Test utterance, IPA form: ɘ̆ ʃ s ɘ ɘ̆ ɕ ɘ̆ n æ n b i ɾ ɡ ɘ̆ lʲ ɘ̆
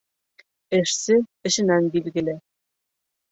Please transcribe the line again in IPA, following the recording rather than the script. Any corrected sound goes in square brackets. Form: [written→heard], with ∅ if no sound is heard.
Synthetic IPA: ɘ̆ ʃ s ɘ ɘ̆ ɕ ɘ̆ n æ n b i [ɾ→l] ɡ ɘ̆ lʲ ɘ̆